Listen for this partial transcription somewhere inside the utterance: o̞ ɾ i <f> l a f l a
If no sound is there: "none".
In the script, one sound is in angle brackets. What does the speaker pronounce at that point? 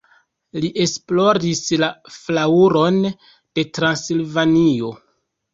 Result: s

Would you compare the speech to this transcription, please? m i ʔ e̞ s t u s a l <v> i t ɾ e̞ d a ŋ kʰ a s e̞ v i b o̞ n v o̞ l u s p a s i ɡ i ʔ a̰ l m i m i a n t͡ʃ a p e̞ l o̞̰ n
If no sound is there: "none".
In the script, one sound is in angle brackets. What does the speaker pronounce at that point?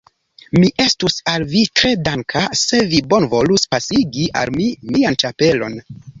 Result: v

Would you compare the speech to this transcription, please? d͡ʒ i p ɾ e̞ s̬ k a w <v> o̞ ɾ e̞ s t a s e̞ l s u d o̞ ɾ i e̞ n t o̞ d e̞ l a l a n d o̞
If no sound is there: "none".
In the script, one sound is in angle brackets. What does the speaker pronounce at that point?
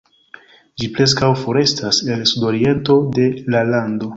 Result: f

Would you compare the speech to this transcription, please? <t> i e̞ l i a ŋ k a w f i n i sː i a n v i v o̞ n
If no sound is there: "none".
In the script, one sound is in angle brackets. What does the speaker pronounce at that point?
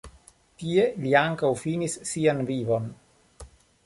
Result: t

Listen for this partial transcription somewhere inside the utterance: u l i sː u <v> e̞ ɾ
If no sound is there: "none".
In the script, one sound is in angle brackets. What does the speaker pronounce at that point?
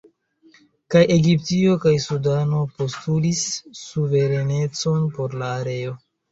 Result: v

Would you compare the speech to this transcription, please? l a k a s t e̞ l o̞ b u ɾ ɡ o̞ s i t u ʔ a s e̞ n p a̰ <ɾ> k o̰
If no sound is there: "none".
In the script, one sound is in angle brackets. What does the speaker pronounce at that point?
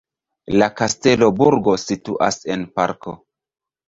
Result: ɾ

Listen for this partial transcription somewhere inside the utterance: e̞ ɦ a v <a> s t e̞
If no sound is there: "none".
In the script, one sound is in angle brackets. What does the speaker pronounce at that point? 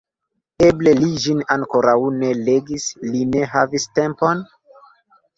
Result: i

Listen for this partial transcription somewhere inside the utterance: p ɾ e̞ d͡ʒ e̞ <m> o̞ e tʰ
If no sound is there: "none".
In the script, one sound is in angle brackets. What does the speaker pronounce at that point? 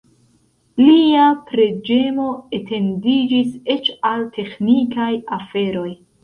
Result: m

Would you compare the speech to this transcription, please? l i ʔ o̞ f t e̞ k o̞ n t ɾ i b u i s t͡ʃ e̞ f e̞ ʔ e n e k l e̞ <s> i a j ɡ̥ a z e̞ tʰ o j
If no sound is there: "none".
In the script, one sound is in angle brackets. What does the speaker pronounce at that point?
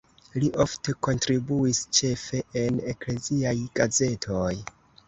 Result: z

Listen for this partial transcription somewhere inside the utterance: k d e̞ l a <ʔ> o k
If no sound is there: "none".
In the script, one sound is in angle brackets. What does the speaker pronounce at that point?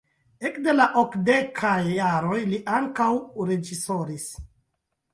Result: ʔ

